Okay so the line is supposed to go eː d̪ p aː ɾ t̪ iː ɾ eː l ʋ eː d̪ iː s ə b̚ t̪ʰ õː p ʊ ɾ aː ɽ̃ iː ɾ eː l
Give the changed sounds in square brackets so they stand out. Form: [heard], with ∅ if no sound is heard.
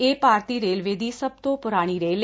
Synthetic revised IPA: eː [∅] p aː ɾ t̪ iː ɾ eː l ʋ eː d̪ iː s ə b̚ [t̪] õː p ʊ ɾ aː ɽ̃ iː ɾ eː l